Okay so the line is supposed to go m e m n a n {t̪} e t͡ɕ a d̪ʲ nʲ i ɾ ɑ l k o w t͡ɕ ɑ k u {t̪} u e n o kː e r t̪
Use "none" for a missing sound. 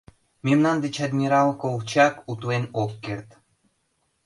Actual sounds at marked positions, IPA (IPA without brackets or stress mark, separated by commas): d̪, t̪